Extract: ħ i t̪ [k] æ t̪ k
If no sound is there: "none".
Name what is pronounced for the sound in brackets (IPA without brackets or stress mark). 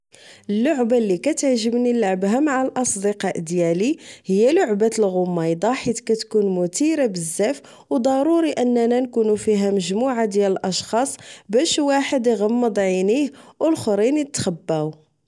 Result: k